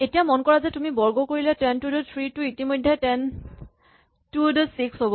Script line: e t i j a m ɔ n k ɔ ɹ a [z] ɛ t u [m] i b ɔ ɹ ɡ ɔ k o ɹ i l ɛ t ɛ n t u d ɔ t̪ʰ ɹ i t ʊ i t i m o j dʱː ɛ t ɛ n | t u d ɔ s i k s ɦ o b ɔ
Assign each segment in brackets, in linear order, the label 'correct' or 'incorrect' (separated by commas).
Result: correct, correct